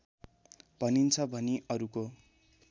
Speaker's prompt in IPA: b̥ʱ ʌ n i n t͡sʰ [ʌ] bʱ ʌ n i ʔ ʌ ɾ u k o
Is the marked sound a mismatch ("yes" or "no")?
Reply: no